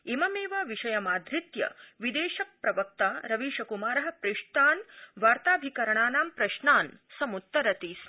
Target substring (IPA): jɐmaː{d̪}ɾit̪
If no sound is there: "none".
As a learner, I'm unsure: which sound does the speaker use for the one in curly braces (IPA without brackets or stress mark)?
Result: d̪